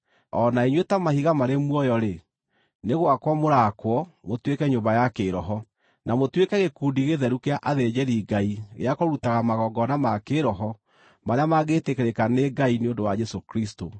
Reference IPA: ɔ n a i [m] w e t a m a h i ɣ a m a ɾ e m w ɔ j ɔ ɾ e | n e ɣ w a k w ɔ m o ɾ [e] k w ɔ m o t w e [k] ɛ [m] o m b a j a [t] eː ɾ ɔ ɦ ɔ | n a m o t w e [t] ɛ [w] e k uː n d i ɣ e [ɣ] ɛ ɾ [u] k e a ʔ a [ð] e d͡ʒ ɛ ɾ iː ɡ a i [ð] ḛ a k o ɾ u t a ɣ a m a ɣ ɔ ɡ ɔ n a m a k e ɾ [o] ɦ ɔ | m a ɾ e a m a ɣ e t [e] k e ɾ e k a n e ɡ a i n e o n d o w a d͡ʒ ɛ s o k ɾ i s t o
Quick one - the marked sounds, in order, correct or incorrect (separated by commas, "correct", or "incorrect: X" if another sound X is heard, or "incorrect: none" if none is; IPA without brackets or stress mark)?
incorrect: ɲ, incorrect: a, correct, incorrect: ɲ, incorrect: k, incorrect: k, incorrect: ɣ, incorrect: ð, correct, correct, incorrect: ɣ, incorrect: ɔ, correct